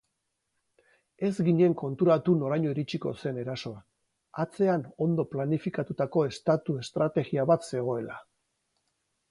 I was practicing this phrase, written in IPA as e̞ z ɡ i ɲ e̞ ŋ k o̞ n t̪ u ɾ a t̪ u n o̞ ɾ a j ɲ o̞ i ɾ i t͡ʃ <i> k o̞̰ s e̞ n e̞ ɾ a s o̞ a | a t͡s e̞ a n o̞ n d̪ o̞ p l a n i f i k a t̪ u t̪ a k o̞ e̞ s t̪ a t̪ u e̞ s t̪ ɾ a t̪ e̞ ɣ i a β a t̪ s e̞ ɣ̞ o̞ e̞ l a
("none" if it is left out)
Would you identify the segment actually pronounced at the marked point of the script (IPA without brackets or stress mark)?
i